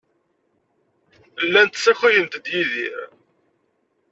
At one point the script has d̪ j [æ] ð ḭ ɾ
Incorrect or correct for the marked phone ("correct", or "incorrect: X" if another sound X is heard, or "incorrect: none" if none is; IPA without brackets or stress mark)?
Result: incorrect: i